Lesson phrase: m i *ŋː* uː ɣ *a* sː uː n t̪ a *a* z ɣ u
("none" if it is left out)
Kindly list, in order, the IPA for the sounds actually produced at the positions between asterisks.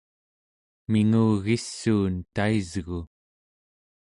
ŋ, i, i

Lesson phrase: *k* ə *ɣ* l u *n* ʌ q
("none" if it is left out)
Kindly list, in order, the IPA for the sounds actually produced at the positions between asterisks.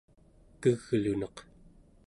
k, ɣ, n

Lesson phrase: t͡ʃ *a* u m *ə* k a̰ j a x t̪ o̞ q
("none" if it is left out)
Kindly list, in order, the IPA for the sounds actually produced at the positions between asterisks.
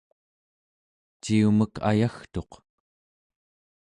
i, ə

